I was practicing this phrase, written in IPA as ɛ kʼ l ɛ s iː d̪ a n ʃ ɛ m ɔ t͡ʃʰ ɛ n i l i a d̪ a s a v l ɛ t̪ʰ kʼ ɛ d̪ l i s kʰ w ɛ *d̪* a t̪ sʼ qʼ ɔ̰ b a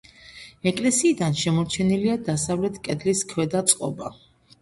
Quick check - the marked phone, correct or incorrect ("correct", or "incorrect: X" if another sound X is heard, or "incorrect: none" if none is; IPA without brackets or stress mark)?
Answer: correct